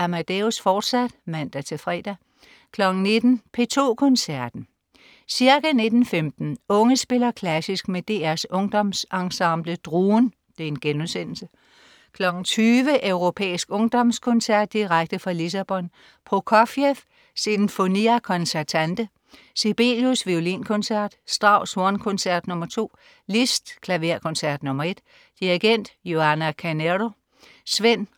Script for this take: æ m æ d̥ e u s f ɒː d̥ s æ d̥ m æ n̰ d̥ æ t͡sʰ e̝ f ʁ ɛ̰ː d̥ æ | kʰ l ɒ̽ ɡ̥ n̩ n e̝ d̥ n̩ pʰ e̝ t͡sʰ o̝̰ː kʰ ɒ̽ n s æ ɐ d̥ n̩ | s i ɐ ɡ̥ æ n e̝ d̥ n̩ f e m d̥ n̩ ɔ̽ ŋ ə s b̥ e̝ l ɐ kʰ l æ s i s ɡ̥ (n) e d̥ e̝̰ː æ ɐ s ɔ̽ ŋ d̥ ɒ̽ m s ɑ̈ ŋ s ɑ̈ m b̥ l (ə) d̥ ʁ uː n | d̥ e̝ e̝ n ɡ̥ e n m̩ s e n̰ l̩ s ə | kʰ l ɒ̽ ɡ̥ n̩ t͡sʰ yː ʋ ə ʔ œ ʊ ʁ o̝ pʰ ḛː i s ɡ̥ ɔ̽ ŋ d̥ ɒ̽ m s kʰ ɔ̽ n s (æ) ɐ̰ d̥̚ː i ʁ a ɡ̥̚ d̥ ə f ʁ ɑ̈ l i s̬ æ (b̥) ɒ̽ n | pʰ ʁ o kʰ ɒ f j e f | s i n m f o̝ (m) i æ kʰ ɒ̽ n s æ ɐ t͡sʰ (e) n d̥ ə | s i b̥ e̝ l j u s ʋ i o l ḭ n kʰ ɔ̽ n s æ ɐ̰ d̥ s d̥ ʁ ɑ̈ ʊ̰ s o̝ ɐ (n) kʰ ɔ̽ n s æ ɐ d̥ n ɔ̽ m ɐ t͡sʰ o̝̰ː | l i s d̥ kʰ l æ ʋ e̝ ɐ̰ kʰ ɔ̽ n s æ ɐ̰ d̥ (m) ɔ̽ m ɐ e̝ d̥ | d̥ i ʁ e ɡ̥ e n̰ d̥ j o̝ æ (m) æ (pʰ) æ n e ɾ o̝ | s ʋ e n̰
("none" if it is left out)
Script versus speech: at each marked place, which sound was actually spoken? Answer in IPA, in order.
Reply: m, ə, æ, b̥, n, æ, n, n, n, kʰ

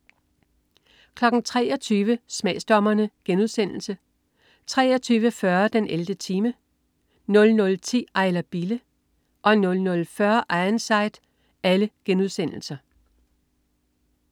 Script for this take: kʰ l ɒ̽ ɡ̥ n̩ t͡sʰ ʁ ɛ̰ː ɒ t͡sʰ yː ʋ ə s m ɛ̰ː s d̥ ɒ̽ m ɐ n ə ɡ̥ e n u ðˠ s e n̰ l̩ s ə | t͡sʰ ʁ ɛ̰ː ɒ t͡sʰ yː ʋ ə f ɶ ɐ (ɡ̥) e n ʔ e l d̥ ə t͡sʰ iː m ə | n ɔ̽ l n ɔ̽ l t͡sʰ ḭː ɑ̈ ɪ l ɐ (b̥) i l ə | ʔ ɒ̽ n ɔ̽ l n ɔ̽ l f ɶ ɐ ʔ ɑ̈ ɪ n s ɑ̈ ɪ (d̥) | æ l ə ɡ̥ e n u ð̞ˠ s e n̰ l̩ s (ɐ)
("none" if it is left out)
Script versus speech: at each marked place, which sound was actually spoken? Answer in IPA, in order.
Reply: d̥, b̥, d̥, ɐ

